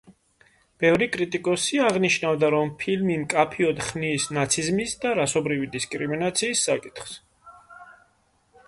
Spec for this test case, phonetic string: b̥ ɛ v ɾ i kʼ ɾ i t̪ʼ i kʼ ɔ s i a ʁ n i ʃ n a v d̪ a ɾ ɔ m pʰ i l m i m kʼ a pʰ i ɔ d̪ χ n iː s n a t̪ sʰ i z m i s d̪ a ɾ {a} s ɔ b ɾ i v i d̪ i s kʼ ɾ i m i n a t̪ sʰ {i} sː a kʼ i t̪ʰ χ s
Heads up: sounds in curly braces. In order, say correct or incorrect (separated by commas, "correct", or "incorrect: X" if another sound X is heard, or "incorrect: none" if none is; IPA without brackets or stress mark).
correct, incorrect: iː